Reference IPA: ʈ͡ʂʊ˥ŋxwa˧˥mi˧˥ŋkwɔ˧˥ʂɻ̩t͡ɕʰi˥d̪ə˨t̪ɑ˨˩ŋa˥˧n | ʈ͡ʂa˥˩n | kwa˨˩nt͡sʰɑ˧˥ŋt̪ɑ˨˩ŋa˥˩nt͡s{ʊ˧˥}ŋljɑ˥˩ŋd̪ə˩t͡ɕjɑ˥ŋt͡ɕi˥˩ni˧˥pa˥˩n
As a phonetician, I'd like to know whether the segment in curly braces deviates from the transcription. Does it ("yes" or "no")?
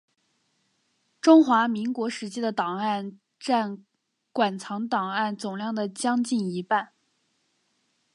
yes